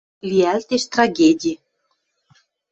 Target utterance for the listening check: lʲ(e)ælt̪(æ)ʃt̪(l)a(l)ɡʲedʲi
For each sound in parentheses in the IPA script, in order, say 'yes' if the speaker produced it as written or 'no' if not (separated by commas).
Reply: no, no, no, no